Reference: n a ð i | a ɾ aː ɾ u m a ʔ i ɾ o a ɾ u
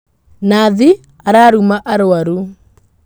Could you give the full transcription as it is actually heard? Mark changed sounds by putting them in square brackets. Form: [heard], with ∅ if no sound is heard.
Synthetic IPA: n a ð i | a ɾ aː ɾ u m a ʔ [a] ɾ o a ɾ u